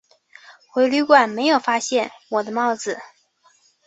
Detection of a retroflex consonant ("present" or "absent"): absent